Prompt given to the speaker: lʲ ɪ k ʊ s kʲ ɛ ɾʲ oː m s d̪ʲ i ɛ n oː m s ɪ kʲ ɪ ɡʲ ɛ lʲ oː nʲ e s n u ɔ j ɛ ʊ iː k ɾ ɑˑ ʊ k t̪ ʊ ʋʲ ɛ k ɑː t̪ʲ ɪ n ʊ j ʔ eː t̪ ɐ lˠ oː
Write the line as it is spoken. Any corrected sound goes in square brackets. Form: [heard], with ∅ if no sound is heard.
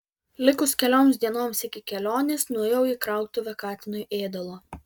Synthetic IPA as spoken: lʲ ɪ k ʊ s kʲ ɛ [lʲ] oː m s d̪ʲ i ɛ n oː m s ɪ kʲ ɪ [kʲ] ɛ lʲ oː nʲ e s n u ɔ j ɛ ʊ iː k ɾ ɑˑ ʊ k t̪ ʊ ʋʲ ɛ k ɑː t̪ʲ ɪ n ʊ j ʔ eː [d̪] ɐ lˠ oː